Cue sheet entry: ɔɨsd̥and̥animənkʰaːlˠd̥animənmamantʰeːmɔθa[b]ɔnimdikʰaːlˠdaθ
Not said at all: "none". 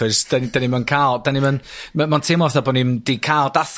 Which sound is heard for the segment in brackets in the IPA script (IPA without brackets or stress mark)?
b